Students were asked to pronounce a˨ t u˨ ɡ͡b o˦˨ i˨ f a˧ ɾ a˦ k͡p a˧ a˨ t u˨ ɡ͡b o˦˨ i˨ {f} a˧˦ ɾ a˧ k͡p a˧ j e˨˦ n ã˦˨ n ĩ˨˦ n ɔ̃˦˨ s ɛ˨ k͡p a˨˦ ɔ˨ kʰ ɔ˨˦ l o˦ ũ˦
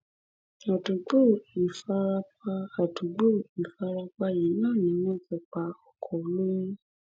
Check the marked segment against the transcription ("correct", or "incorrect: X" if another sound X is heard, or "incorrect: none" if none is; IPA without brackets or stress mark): correct